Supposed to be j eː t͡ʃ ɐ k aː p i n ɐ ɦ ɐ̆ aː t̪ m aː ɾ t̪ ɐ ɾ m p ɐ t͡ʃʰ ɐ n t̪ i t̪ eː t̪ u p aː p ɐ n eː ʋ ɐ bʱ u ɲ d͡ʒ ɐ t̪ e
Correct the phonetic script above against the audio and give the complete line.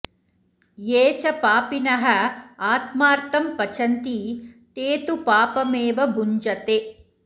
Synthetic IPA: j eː t͡ʃ ɐ p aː p i n ɐ ɦ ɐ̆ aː t̪ m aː ɾ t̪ ɐ m p ɐ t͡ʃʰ ɐ n t̪ i t̪ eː t̪ u p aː p ɐ m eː ʋ ɐ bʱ u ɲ d͡ʒ ɐ t̪ e

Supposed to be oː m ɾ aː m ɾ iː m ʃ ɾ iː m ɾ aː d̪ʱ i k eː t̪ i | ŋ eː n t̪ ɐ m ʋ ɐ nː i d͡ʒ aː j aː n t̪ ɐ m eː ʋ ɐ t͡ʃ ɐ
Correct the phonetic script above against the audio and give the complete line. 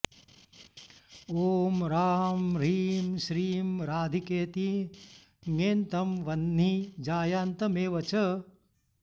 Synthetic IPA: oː m ɾ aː m ɾ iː m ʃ ɾ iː m ɾ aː d̪ʱ i k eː t̪ i | ŋ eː n t̪ ɐ m ʋ ɐ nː i d͡ʒ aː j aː n t̪ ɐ m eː ʋ ɐ t͡ʃ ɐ

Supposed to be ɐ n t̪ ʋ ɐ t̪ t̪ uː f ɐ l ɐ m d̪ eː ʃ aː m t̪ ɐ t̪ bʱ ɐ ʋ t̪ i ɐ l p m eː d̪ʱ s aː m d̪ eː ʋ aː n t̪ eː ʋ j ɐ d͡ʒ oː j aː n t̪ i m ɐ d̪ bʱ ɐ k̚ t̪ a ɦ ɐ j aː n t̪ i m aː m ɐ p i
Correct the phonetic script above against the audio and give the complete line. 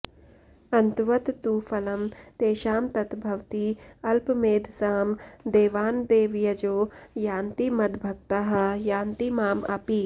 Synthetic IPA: ɐ n t̪ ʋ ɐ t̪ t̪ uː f ɐ l ɐ m t̪ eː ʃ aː m t̪ ɐ t̪ bʱ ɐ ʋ t̪ i ɐ l p m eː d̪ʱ s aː m d̪ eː ʋ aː n d̪ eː ʋ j ɐ d͡ʒ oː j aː n t̪ i m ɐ d̪ bʱ ɐ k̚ t̪ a ɦ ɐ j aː n t̪ i m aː m ɐ p i

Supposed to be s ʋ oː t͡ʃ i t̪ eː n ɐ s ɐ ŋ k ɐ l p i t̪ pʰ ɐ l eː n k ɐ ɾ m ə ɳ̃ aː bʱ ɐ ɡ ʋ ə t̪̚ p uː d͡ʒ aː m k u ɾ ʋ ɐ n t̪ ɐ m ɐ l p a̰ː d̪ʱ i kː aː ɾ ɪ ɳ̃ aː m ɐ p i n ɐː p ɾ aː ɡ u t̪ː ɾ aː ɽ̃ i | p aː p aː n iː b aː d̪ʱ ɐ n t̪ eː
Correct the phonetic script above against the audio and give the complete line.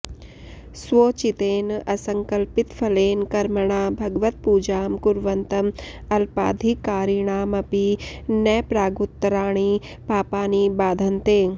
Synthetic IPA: s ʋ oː t͡ʃ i t̪ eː n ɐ s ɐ ŋ k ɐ l p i t̪ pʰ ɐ l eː n k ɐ ɾ m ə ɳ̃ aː bʱ ɐ ɡ ʋ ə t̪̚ p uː d͡ʒ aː m k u ɾ ʋ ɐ n t̪ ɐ m ɐ l p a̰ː d̪ʱ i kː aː ɾ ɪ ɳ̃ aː m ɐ p i n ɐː p ɾ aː ɡ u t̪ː ɾ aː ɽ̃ i | p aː p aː n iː b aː d̪ʱ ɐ n t̪ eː

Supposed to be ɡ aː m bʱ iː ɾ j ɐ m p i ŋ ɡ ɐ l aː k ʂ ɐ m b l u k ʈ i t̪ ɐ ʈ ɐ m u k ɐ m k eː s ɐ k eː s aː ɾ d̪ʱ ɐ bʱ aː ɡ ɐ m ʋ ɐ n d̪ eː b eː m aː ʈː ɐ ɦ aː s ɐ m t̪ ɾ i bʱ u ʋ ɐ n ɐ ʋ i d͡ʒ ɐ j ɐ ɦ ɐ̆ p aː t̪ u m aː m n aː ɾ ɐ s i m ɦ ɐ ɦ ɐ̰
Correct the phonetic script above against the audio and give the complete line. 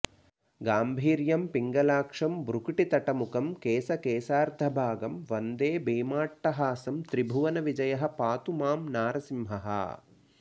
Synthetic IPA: ɡ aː m bʱ iː ɾ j ɐ m p i ŋ ɡ ɐ l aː k ʂ ɐ m b ɾ u k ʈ i t̪ ɐ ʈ ɐ m u k ɐ m k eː s ɐ k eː s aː ɾ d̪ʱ ɐ bʱ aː ɡ ɐ m ʋ ɐ n d̪ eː b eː m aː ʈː ɐ ɦ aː s ɐ m t̪ ɾ i bʱ u ʋ ɐ n ɐ ʋ i d͡ʒ ɐ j ɐ ɦ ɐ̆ p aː t̪ u m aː m n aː ɾ ɐ s i m ɦ ɐ ɦ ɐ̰

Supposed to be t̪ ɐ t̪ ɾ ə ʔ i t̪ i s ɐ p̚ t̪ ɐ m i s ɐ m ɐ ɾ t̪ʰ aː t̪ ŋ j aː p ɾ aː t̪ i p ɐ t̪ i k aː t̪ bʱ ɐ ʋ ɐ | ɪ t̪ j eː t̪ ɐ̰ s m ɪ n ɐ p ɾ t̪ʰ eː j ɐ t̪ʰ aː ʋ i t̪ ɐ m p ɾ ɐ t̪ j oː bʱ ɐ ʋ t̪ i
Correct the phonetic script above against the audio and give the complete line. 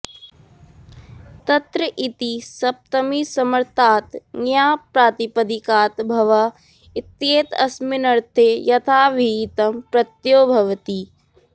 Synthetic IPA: t̪ ɐ t̪ ɾ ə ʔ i t̪ i s ɐ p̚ t̪ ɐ m i s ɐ m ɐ ɾ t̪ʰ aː t̪ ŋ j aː p ɾ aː t̪ i p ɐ d̪ i k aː t̪ bʱ ɐ ʋ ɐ | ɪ t̪ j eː t̪ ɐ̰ s m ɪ n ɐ ɾ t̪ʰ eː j ɐ t̪ʰ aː ʋ i t̪ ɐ m p ɾ ɐ t̪ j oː bʱ ɐ ʋ t̪ i

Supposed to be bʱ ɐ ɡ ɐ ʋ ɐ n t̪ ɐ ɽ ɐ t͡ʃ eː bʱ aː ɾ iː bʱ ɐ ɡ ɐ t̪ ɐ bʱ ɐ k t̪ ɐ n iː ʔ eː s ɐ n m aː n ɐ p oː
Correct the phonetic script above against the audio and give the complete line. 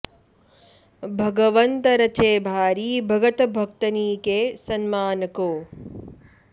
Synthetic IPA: bʱ ɐ ɡ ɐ ʋ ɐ n t̪ ɐ ɾ ɐ t͡ʃ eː bʱ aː ɾ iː bʱ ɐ ɡ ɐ t̪ ɐ bʱ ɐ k t̪ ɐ n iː k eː s ɐ n m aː n ɐ k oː

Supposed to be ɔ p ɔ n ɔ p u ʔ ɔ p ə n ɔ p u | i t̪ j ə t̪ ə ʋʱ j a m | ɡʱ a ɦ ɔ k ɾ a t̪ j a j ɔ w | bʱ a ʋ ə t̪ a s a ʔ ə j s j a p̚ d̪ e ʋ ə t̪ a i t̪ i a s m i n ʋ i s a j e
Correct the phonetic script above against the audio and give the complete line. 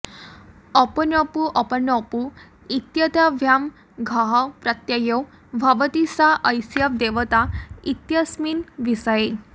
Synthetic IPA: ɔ p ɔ n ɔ p u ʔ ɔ p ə n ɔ p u | i t̪ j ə t̪ a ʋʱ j a m | ɡʱ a ɦ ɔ p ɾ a t̪ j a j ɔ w | bʱ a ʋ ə t̪ i s a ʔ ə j s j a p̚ d̪ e ʋ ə t̪ a i t̪ j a s m i n ʋ i s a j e

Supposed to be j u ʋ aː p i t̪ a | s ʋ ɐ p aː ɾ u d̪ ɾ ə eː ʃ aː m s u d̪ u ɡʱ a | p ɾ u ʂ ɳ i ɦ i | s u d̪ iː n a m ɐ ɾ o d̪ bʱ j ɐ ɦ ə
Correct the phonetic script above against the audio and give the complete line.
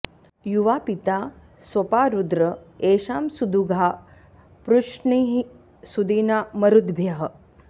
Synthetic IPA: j u ʋ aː p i t̪ a | s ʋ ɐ p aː ɾ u d̪ ɾ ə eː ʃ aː m s u d̪ u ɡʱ a | p ɾ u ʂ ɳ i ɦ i | s u d̪ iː n a m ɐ ɾ u d̪ bʱ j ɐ ɦ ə

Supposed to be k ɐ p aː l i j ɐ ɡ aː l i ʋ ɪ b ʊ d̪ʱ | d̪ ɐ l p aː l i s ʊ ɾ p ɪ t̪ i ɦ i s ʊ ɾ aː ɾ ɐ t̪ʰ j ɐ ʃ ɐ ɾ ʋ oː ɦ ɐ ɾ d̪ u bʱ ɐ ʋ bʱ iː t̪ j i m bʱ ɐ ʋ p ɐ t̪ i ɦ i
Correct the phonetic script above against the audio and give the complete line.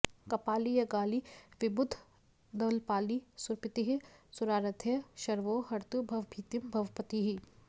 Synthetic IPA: k ɐ p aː l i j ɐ ɡ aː l i ʋ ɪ b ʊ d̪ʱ | d̪ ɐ l p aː l i s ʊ ɾ p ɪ t̪ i ɦ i s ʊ ɾ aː ɾ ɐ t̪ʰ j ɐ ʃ ɐ ɾ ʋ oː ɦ ɐ ɾ t̪ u bʱ ɐ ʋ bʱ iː t̪ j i m bʱ ɐ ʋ p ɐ t̪ i ɦ i

